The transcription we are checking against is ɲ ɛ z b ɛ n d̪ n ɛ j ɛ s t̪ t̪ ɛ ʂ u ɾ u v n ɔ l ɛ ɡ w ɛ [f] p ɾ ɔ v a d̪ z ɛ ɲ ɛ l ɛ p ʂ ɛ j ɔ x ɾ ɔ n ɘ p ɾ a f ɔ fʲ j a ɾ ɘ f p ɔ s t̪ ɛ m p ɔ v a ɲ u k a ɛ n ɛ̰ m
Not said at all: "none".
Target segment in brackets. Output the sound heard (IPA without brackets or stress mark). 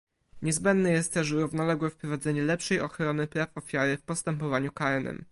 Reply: f